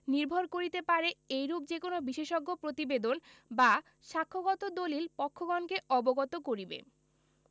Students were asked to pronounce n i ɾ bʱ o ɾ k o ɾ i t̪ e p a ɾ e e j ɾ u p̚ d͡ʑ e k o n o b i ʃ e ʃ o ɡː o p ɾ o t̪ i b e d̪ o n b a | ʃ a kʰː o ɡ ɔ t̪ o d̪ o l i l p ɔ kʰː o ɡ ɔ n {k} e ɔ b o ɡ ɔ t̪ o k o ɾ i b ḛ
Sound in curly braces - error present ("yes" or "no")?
no